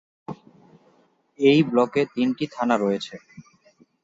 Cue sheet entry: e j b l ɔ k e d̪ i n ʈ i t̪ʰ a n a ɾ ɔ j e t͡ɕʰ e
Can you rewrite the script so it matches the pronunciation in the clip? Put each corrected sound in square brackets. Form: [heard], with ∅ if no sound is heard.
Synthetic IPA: e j b l ɔ k e [t̪] i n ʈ i t̪ʰ a n a ɾ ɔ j e t͡ɕʰ e